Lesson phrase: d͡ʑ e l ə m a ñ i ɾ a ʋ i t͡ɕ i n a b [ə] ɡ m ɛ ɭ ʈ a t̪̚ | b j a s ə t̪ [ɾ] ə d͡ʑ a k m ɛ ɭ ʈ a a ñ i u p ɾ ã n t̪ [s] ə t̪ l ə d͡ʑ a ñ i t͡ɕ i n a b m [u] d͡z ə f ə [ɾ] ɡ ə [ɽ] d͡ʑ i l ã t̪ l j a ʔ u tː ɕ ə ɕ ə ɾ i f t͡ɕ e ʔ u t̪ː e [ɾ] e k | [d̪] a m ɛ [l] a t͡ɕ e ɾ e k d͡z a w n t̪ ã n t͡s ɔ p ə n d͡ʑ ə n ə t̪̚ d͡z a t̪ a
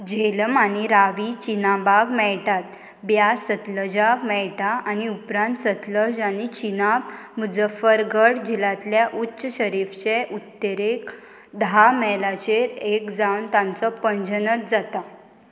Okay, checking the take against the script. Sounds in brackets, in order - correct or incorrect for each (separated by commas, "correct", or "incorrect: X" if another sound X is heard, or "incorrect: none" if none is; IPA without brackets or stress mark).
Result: incorrect: a, incorrect: l, correct, correct, correct, correct, correct, correct, correct